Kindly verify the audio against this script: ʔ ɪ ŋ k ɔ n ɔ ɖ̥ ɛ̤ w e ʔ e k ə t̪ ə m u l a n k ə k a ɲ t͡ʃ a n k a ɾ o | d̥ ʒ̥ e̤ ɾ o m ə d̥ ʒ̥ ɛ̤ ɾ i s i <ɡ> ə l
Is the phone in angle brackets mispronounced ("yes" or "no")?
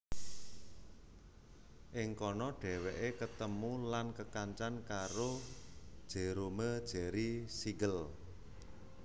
no